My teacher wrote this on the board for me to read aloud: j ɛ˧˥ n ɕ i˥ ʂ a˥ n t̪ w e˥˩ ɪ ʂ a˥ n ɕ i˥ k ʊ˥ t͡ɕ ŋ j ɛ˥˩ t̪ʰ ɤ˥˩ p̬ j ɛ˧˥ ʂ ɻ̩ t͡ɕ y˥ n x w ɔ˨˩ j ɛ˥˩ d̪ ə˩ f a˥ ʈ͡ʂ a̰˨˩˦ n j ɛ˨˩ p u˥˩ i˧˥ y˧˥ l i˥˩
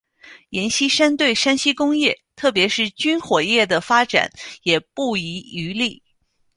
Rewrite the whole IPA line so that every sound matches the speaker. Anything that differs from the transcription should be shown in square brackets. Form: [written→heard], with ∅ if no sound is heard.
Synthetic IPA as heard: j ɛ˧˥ n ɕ i˥ ʂ a˥ n t̪ w e˥˩ ɪ ʂ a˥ n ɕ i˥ k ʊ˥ [t͡ɕ→∅] ŋ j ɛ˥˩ t̪ʰ ɤ˥˩ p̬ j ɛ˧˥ ʂ ɻ̩ t͡ɕ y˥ n x w ɔ˨˩ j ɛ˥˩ d̪ ə˩ f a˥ ʈ͡ʂ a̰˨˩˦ n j ɛ˨˩ p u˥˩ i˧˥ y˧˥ l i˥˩